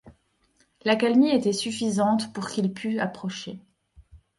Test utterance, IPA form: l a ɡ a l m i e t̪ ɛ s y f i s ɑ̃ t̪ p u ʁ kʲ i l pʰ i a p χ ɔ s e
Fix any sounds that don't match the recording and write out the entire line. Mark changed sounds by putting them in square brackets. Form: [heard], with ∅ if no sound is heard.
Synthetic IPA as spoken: l a [k] a l m i e t̪ ɛ s y f i [z] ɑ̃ t̪ p u ʁ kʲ i l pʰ [y] a p χ ɔ [ʃ] e

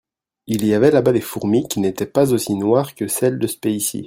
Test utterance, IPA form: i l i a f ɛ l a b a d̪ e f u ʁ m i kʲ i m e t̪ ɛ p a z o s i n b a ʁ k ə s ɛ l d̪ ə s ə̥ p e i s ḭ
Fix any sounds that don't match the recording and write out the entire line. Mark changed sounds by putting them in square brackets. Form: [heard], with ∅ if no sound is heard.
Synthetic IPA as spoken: i l i a [v] ɛ l a b a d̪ e f u ʁ m i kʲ i [n] e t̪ ɛ p a z o s i n [w] a ʁ k ə s ɛ l d̪ ə s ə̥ p e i s ḭ

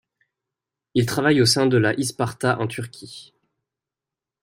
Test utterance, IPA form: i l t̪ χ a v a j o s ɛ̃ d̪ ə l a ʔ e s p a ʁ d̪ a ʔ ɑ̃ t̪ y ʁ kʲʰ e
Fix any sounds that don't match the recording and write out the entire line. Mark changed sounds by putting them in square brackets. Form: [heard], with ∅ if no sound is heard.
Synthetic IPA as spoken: i l t̪ χ a v a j o s ɛ̃ d̪ ə l a ʔ [i] s p a ʁ [t̪] a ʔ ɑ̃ t̪ y ʁ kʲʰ [i]

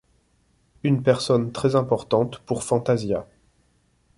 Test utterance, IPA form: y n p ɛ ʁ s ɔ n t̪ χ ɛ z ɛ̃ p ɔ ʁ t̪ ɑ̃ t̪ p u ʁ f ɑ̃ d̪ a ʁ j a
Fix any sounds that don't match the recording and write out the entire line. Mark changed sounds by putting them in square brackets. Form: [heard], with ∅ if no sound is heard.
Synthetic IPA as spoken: y n p ɛ ʁ s ɔ n t̪ χ ɛ z ɛ̃ p ɔ ʁ t̪ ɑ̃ t̪ p u ʁ f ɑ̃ [t̪] a [z] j a

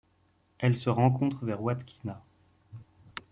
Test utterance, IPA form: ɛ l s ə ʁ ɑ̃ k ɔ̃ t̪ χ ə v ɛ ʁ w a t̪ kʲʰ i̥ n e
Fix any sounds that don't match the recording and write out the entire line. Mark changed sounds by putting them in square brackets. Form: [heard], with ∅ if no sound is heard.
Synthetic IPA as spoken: ɛ l s ə ʁ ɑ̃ k ɔ̃ t̪ χ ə v ɛ ʁ w a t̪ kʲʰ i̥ n [a]

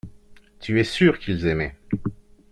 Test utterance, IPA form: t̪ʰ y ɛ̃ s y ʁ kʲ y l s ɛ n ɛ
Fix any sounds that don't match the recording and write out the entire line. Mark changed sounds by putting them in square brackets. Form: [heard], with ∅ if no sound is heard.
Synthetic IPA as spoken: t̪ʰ y [ɛ] s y ʁ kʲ [i] l [z] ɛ [m] ɛ

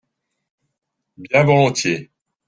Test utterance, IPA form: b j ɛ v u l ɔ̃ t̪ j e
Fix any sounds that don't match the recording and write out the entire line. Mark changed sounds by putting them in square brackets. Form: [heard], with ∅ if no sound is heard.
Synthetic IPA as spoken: b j [ɛ̃] v [ɔ] l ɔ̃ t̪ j e

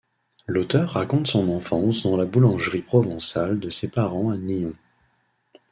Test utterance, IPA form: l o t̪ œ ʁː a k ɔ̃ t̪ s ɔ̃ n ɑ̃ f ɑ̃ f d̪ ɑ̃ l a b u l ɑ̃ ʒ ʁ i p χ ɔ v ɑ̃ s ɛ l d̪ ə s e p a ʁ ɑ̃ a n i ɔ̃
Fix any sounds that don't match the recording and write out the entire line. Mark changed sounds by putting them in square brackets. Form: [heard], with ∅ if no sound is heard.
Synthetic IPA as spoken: l o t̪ œ ʁː a k ɔ̃ t̪ s ɔ̃ n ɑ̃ f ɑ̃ [s] d̪ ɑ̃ l a b u l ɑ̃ ʒ ʁ i p χ ɔ v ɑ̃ s [a] l d̪ ə s e p a ʁ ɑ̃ a n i ɔ̃

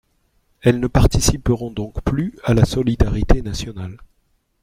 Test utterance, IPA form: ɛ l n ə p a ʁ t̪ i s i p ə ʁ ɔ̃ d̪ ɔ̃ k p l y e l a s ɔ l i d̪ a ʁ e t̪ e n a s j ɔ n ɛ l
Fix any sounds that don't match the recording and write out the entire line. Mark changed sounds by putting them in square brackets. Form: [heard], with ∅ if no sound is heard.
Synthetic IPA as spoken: ɛ l n ə p a ʁ t̪ i s i p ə ʁ ɔ̃ d̪ ɔ̃ k p l y [a] l a s ɔ l i d̪ a ʁ [i] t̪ e n a s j ɔ n [a] l

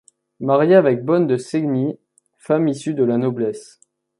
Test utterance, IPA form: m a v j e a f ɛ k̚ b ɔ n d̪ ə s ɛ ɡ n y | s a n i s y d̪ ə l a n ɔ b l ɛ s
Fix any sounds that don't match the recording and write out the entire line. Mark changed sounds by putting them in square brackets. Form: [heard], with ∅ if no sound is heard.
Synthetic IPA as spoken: m a [ʁ] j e a [v] ɛ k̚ b ɔ n d̪ ə s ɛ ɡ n [i] | [f] a [m] i s y d̪ ə l a n ɔ b l ɛ s

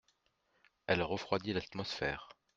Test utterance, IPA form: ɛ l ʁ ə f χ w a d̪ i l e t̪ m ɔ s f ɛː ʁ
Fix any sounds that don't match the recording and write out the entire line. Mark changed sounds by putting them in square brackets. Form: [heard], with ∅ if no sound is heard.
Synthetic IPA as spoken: ɛ l ʁ ə f χ w a d̪ i l [a] t̪ m ɔ s f ɛː ʁ

